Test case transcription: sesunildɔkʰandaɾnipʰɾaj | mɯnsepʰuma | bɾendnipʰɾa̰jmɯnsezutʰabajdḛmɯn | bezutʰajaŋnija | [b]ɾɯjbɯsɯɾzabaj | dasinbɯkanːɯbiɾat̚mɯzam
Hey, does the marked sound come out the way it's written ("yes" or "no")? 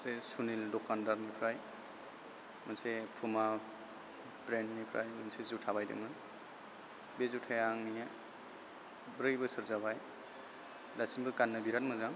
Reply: yes